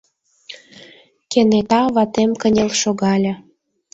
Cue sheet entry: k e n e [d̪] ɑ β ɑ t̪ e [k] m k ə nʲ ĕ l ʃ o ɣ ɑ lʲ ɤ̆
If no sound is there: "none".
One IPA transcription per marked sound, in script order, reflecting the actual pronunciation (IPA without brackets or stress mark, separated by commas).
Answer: t̪, none